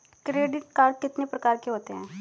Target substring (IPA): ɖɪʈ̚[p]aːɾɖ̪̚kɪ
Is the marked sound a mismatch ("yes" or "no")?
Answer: yes